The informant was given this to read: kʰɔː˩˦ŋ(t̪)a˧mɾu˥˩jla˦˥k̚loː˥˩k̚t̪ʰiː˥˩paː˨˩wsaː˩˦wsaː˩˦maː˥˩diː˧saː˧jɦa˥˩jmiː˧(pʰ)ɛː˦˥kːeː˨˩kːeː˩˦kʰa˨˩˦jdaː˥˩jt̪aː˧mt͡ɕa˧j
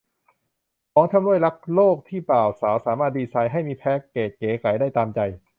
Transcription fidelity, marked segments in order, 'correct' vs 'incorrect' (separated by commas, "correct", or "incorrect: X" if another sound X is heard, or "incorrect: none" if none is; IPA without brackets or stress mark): incorrect: t̪ʰ, correct